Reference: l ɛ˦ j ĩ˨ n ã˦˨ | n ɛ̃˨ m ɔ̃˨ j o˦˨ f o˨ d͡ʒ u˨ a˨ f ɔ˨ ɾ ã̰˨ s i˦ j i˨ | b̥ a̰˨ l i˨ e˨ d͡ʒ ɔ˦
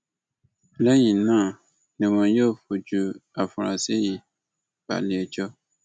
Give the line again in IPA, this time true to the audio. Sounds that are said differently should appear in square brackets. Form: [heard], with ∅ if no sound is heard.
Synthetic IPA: l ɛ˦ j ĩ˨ n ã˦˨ | n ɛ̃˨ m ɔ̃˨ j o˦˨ f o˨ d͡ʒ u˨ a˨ f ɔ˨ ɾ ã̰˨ s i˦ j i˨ | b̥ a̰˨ l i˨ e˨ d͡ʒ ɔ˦